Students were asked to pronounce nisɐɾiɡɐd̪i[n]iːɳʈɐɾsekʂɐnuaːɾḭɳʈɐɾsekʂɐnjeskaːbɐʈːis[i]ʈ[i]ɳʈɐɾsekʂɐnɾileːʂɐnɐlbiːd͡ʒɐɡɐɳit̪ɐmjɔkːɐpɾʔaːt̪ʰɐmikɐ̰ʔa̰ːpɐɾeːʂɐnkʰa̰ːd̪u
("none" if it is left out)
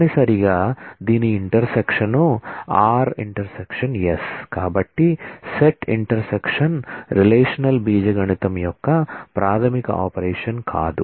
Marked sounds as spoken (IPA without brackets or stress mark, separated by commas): n, e, i